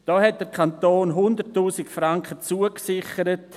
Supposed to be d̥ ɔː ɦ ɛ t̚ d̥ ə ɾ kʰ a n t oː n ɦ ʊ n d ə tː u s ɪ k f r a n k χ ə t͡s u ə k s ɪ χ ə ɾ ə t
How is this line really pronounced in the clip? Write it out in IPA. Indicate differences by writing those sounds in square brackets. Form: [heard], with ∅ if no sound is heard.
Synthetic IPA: d̥ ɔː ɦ ɛ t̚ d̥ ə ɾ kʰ a n t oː n ɦ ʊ n d ə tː [uː] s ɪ k f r a [ŋ] k χ ə t͡s u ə k s ɪ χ ə ɾ ə t